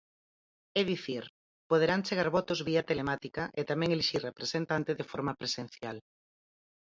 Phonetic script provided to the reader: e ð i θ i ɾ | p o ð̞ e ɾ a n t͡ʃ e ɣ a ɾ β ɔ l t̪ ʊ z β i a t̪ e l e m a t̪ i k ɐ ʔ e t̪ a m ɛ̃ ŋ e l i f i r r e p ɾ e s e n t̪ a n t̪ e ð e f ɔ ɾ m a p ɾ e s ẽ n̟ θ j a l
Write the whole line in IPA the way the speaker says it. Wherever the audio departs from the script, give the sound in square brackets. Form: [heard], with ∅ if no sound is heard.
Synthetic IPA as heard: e ð i θ i ɾ | p o ð̞ e ɾ a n t͡ʃ e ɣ a ɾ β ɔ [∅] t̪ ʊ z β i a t̪ e l e m a t̪ i k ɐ ʔ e t̪ a m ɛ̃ ŋ e l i [ʃ] i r r e p ɾ e s e n t̪ a n t̪ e ð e f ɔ ɾ m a p ɾ e s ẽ n̟ θ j a l